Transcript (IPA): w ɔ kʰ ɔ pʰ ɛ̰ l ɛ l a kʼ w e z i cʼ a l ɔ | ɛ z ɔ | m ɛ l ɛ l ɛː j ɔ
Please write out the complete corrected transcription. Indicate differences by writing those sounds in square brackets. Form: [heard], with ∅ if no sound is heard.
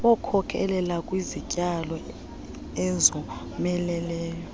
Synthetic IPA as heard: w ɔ kʰ ɔ [kʰ] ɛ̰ l ɛ l a kʼ w [i] z i cʼ a l ɔ | ɛ z ɔ | m ɛ l ɛ l ɛː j ɔ